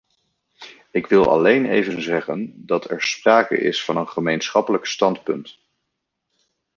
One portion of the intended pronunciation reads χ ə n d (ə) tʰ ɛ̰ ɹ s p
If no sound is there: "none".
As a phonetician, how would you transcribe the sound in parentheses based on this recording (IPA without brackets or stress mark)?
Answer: ɑ